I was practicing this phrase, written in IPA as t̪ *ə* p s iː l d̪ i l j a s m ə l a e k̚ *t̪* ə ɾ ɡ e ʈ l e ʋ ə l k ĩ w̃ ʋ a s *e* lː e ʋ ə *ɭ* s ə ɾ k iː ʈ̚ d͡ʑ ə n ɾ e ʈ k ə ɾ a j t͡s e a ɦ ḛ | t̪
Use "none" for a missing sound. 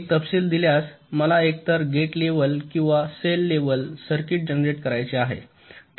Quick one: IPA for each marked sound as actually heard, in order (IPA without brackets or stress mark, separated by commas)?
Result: ə, t̪, e, l